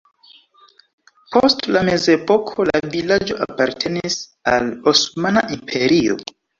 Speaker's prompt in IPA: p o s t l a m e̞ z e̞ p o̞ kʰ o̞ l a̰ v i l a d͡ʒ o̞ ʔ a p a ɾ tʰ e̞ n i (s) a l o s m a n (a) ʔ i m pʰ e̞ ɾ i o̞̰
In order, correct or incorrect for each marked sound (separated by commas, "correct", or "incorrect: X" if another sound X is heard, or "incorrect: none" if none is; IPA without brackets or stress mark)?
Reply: correct, correct